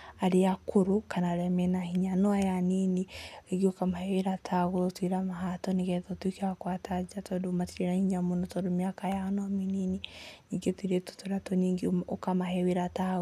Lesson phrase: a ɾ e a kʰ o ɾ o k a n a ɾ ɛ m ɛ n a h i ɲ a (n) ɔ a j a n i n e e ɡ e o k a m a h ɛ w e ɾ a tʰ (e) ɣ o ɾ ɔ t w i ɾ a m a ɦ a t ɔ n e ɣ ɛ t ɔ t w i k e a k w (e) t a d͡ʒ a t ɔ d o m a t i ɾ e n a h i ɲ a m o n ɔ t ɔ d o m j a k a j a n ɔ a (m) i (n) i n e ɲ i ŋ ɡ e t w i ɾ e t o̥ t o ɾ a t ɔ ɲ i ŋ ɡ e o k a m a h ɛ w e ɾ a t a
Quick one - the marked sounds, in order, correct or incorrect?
correct, incorrect: a, incorrect: a, correct, correct

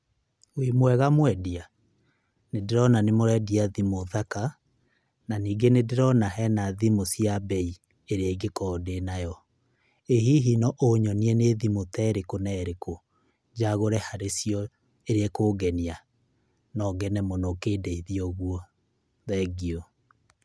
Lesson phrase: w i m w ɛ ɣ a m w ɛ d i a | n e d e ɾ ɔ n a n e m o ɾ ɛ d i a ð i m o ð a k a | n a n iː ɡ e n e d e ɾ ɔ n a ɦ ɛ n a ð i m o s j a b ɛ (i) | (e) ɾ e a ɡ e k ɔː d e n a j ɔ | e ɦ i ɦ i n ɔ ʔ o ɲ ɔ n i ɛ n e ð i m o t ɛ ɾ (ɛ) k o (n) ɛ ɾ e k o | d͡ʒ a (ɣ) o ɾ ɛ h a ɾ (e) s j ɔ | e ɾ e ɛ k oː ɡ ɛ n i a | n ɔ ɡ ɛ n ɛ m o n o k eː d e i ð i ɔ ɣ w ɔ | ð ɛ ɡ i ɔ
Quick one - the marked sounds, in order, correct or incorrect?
correct, correct, incorrect: e, correct, correct, correct

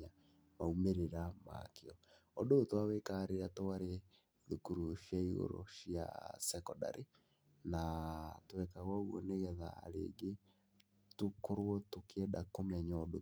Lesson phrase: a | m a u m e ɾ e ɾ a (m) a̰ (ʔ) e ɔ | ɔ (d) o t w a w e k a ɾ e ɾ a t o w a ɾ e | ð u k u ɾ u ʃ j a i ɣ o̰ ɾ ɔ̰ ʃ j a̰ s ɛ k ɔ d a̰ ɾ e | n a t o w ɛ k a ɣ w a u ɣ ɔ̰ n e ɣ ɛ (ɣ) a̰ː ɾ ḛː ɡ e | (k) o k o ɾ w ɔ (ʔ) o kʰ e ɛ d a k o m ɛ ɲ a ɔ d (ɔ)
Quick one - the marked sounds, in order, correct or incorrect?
correct, incorrect: k, correct, incorrect: ð, incorrect: t, incorrect: t, incorrect: o

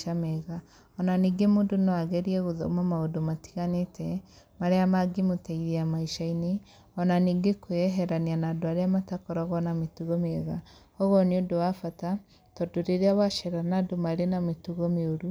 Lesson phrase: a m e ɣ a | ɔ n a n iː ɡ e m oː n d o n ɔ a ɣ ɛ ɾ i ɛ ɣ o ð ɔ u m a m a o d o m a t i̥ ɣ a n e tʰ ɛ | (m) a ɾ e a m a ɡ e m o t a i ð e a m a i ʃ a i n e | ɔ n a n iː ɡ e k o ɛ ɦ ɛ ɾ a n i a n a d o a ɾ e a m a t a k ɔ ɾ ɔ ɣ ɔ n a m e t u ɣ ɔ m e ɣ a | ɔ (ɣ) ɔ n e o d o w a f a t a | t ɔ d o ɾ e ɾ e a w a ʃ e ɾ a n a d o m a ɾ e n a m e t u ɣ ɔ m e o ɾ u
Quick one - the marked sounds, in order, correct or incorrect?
correct, correct

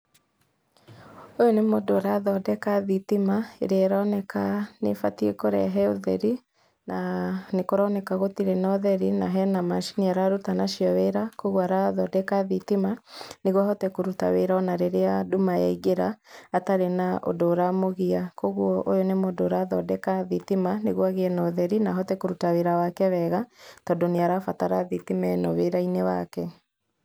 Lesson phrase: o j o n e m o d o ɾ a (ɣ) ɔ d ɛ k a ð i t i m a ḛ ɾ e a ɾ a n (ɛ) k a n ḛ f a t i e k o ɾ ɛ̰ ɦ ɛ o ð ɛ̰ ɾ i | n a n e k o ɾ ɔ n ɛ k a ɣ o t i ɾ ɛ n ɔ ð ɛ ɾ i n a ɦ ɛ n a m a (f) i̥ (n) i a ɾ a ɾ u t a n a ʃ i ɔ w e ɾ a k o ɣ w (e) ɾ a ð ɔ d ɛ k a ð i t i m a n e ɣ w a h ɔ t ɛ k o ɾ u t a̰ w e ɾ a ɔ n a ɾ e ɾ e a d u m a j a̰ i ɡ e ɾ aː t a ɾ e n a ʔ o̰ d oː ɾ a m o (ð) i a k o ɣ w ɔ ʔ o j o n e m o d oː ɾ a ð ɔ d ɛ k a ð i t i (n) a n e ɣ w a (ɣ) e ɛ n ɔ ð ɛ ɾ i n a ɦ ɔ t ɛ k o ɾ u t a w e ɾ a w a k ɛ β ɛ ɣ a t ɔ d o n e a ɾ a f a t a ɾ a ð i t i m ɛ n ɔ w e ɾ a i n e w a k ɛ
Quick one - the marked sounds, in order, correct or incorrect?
incorrect: ð, correct, incorrect: ʃ, correct, incorrect: a, incorrect: ɣ, incorrect: m, correct

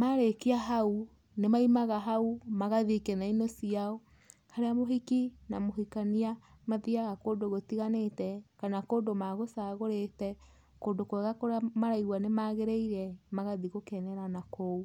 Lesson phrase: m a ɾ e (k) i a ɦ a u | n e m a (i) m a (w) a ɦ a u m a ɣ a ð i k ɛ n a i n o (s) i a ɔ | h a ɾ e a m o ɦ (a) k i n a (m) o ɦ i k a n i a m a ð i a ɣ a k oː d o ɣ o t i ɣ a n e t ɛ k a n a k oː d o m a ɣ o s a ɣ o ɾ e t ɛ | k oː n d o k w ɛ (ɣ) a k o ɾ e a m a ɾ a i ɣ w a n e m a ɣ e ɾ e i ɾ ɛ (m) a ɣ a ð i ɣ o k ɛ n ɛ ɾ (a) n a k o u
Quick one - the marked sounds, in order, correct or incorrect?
correct, correct, incorrect: ɣ, correct, incorrect: i, correct, correct, correct, correct

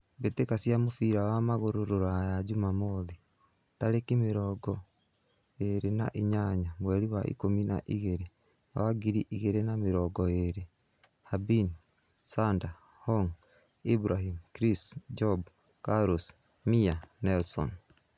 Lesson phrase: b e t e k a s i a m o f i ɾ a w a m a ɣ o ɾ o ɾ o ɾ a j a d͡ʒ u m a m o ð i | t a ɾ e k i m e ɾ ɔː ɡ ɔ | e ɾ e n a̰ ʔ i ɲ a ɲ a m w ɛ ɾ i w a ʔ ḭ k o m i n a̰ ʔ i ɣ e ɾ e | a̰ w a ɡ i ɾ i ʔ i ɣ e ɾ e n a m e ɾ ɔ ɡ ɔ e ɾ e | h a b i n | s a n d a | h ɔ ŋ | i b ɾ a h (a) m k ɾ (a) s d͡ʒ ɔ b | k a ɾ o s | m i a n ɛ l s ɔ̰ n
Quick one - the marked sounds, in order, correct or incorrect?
incorrect: i, incorrect: i

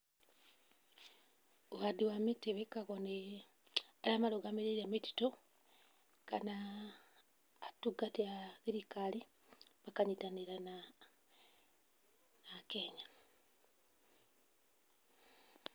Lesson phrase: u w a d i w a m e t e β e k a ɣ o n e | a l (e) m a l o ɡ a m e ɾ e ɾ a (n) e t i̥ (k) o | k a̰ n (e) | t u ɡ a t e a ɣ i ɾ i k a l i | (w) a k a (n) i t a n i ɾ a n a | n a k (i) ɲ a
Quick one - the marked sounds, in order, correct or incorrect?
incorrect: a, incorrect: m, incorrect: t, incorrect: a, incorrect: β, incorrect: ɲ, incorrect: e

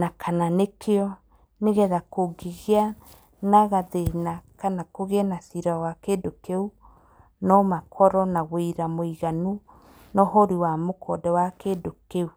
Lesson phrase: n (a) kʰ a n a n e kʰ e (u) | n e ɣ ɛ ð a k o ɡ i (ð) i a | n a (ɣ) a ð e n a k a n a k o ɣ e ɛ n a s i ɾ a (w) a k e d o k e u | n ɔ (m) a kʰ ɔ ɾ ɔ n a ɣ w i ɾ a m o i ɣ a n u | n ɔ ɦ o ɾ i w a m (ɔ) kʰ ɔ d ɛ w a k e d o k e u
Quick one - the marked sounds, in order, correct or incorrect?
correct, incorrect: ɔ, incorrect: ɣ, correct, correct, correct, incorrect: o

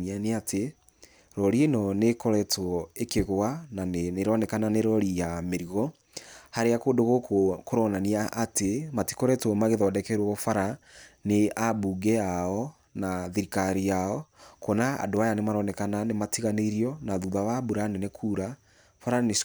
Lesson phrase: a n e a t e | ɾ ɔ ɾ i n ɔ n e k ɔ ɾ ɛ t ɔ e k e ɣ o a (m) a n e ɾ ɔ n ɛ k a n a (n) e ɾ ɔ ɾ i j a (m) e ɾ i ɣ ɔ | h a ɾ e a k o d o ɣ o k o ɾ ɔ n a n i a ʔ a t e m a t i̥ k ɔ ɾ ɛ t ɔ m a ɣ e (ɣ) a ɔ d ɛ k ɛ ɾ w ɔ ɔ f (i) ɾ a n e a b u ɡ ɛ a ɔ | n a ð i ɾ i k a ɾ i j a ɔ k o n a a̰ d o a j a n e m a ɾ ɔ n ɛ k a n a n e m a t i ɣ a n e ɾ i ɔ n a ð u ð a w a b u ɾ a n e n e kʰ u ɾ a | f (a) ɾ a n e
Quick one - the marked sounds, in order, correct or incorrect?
incorrect: n, correct, correct, incorrect: ð, incorrect: a, correct

